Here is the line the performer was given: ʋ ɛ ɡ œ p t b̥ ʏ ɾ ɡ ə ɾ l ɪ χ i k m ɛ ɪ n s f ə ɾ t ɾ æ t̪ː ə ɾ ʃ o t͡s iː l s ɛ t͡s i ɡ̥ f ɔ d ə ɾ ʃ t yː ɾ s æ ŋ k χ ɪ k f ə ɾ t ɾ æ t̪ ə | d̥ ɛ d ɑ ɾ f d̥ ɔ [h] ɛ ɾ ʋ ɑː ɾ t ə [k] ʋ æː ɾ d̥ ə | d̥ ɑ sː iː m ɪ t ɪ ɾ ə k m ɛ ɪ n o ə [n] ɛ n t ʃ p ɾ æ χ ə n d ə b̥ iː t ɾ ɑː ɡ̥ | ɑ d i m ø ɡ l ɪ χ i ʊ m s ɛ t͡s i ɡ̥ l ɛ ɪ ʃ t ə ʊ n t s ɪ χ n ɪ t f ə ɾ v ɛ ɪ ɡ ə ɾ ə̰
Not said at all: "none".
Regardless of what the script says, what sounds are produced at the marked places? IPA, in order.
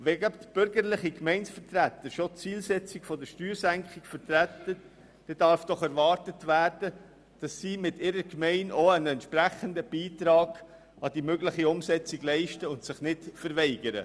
χ, t, n

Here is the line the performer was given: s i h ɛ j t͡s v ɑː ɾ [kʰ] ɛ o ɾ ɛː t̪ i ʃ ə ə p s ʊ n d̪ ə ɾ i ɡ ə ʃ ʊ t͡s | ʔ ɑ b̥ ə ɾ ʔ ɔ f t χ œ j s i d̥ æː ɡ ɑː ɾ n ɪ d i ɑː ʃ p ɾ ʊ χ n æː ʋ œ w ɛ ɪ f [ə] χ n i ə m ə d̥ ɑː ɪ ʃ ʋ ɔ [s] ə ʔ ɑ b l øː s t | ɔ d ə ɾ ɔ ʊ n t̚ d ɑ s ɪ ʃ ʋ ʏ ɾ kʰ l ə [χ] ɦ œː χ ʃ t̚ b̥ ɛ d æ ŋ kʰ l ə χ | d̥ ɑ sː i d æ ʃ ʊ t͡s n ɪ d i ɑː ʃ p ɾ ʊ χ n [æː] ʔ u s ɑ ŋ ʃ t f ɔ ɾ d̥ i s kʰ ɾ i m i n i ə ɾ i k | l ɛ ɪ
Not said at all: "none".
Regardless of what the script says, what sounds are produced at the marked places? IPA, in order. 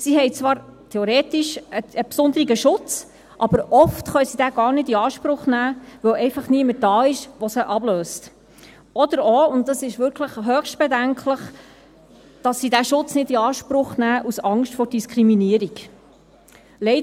tʰ, ɑ, s, χ, æː

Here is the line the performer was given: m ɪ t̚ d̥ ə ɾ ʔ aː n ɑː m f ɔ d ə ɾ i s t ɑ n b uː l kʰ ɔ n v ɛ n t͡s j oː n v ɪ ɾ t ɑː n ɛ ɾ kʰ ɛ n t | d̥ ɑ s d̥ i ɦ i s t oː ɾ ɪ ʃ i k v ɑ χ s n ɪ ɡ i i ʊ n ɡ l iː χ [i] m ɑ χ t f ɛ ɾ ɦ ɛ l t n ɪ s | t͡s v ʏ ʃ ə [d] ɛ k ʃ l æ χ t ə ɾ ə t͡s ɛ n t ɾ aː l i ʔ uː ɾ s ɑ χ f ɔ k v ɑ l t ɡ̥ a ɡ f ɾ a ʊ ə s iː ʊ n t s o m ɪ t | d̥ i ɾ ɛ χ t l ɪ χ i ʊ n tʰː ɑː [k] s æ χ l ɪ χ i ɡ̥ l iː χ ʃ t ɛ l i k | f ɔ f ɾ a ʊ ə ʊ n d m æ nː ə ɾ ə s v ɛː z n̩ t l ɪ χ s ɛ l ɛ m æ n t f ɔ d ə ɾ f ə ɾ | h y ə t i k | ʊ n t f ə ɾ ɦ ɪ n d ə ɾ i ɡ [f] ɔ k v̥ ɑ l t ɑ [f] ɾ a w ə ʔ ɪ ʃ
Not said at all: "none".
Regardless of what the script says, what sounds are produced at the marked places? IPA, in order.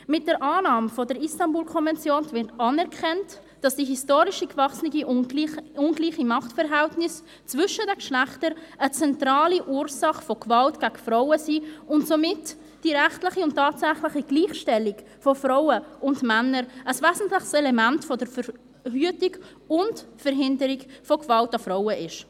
i, d, t, f, f

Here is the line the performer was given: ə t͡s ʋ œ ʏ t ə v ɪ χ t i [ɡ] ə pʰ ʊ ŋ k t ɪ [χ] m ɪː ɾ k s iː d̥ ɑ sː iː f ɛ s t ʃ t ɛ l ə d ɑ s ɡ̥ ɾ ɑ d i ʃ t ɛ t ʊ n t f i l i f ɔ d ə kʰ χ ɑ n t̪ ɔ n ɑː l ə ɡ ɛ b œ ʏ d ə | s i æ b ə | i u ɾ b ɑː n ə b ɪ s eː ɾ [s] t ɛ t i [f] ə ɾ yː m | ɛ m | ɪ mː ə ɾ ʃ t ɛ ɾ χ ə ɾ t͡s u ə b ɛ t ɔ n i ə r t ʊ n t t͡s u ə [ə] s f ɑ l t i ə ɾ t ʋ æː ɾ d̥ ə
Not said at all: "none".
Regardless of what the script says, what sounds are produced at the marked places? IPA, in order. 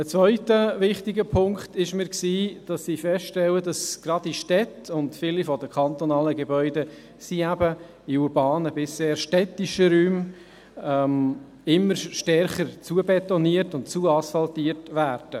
ɡ, ʃ, ʃ, ʃ, ɑ

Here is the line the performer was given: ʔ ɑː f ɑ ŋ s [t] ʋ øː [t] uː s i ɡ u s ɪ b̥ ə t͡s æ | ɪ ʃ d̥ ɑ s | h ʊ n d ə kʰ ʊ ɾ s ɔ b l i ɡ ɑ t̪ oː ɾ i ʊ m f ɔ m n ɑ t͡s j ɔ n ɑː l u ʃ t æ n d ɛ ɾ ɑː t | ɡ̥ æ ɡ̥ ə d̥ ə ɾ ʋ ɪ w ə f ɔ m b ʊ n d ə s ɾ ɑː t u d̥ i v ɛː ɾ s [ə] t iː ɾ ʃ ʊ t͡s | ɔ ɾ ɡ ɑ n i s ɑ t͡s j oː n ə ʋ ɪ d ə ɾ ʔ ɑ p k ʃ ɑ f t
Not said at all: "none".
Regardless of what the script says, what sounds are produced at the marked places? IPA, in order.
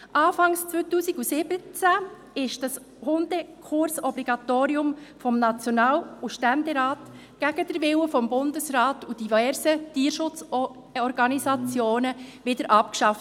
t͡s, t, ə

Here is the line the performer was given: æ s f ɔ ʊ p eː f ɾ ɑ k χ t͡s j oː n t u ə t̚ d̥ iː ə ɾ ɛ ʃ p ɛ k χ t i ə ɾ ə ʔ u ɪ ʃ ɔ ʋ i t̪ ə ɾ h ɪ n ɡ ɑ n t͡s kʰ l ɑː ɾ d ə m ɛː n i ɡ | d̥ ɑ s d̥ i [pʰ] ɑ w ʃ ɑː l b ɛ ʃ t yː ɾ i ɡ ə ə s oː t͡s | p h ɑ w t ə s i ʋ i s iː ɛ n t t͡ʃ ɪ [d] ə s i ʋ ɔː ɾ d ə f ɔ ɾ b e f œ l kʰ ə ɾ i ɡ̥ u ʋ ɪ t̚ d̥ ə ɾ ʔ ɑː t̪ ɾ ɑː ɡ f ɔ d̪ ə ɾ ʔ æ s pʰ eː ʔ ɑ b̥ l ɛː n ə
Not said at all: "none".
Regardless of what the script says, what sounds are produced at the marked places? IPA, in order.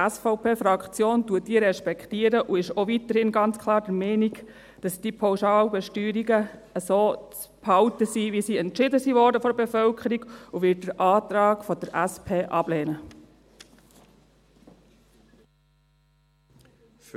pʰ, d

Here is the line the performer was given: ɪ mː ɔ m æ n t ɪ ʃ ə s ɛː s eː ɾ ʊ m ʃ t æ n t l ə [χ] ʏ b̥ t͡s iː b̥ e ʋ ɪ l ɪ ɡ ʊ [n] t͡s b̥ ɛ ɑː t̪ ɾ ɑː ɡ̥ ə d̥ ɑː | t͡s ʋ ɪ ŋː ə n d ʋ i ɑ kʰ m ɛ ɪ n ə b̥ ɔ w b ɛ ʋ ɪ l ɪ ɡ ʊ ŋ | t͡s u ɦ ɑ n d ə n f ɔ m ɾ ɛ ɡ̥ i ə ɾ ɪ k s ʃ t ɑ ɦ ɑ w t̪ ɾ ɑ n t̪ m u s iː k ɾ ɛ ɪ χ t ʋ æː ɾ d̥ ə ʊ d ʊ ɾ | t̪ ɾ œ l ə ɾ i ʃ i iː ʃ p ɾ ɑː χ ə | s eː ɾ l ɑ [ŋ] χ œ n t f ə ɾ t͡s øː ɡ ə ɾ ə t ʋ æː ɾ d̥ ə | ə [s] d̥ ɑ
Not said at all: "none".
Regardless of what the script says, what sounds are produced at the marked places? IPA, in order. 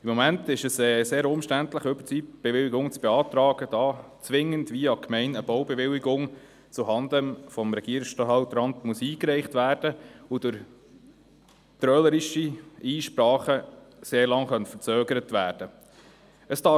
χ, ŋ, ŋ, s

